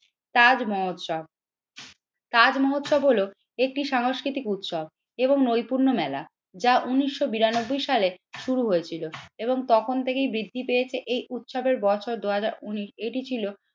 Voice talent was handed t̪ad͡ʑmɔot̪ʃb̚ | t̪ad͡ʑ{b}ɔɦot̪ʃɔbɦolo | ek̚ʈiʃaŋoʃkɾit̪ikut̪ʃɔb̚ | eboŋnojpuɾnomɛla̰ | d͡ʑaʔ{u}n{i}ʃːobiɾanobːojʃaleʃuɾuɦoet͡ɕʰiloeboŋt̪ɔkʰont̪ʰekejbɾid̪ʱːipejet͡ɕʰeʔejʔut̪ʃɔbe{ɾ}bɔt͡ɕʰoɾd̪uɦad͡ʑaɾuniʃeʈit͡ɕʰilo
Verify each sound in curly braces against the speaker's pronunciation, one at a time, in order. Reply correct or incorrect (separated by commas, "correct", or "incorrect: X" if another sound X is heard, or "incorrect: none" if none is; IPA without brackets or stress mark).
incorrect: m, correct, correct, correct